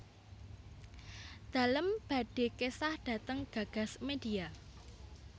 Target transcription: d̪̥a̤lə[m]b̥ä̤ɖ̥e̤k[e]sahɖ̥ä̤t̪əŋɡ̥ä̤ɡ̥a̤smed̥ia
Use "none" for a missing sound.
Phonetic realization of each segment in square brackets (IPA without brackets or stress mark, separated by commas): m, e